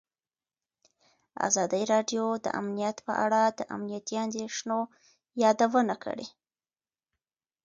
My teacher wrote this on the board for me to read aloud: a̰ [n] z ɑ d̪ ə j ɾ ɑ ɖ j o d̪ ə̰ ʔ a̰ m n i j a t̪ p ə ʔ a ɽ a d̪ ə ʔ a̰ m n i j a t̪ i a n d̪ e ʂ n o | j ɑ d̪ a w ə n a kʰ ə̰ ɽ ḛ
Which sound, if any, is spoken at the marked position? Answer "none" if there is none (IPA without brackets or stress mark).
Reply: none